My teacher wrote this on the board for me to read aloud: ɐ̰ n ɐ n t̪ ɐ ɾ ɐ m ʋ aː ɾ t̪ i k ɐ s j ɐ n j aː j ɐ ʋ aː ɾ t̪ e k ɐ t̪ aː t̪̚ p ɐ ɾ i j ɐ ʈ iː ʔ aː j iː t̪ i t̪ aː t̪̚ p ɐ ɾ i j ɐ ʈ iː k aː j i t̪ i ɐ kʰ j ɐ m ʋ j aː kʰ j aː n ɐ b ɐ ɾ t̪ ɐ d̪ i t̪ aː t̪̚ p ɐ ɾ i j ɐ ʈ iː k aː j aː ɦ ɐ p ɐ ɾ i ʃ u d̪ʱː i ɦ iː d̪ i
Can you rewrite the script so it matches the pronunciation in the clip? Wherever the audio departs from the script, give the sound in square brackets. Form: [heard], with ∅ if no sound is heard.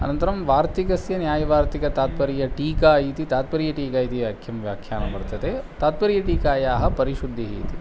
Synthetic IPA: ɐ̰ n ɐ n t̪ ɐ ɾ ɐ m ʋ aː ɾ t̪ i k ɐ s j ɐ n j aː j ɐ ʋ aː ɾ t̪ [i] k ɐ t̪ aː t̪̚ p ɐ ɾ i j ɐ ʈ iː [k] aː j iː t̪ i t̪ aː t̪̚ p ɐ ɾ i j ɐ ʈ iː k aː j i t̪ i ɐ kʰ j ɐ m ʋ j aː kʰ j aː n ɐ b ɐ ɾ t̪ ɐ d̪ [e] t̪ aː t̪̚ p ɐ ɾ i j ɐ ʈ iː k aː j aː ɦ ɐ p ɐ ɾ i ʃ u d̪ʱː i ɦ iː [t̪] i